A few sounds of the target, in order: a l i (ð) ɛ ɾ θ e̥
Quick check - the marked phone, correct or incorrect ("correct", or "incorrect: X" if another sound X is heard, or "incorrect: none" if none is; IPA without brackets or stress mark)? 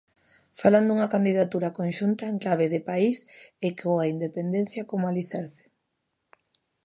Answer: incorrect: θ